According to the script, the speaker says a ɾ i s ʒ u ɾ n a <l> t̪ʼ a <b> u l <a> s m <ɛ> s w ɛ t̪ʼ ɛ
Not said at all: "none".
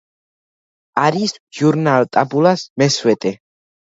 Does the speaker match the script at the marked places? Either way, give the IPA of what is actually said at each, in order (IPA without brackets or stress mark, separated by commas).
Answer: l, b, a, ɛ